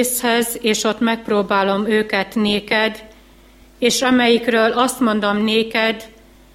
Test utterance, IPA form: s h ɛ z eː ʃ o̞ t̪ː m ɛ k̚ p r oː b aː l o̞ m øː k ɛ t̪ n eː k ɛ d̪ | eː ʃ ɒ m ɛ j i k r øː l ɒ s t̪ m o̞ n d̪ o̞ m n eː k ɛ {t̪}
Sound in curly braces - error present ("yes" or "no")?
yes